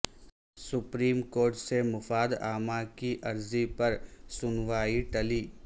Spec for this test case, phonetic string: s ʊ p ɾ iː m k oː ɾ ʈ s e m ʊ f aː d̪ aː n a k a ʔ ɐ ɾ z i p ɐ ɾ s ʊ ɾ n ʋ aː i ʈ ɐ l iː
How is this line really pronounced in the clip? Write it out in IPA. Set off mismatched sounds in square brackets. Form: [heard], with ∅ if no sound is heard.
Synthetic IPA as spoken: s ʊ p ɾ iː m k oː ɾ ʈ s e m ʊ f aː d̪ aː [m] a k [i] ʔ ɐ ɾ z i p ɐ ɾ s ʊ [∅] n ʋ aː i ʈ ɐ l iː